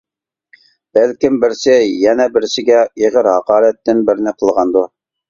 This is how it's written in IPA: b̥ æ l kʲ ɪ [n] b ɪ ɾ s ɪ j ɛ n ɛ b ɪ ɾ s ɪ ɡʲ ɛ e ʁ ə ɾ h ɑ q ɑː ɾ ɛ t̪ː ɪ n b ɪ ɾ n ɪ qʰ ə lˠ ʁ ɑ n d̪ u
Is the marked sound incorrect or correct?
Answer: incorrect